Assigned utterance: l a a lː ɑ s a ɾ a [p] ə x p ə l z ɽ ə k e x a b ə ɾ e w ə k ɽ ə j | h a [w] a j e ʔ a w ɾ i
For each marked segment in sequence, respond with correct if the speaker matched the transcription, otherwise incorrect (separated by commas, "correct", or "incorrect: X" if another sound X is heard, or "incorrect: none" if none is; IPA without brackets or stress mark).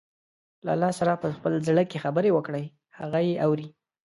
correct, incorrect: ɣ